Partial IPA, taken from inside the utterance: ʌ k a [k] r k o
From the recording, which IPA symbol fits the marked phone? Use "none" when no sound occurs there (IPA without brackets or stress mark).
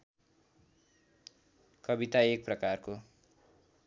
none